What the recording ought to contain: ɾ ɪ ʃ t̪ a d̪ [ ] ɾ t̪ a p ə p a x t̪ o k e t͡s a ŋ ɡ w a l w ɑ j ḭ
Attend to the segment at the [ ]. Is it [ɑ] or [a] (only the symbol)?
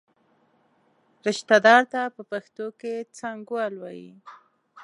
ɑ